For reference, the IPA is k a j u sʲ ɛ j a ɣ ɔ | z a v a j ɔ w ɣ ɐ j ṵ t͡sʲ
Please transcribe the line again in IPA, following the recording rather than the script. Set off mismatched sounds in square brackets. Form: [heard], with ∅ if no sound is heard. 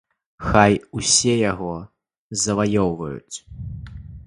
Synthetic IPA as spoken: [x] a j u sʲ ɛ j a ɣ ɔ | z [ɐ] v a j ɔ w [v] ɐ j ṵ t͡sʲ